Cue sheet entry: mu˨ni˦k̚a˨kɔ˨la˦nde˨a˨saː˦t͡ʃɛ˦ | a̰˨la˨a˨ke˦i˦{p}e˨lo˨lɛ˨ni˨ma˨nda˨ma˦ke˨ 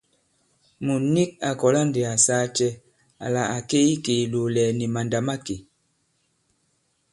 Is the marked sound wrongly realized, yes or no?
yes